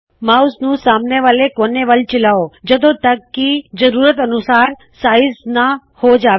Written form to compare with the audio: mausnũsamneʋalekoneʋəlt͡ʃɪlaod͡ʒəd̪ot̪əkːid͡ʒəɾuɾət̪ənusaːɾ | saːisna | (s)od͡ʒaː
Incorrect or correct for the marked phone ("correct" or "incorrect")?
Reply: incorrect